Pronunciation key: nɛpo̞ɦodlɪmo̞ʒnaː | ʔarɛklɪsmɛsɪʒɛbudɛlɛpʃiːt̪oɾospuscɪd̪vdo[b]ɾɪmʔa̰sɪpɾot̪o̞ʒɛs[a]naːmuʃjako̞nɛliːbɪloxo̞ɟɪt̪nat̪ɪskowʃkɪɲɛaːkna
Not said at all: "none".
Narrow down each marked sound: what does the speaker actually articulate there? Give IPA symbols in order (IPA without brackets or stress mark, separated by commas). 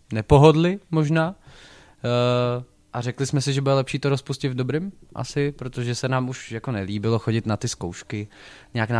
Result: b, ɛ